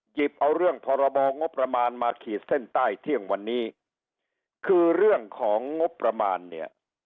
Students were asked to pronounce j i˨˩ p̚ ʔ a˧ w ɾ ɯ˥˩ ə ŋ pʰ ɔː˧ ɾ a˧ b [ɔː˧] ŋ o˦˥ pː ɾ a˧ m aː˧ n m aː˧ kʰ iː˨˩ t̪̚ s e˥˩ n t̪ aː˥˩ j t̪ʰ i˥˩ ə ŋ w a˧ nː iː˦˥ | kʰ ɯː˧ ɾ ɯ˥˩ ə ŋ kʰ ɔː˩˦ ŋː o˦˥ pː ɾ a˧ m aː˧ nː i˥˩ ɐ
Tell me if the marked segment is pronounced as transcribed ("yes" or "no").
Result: yes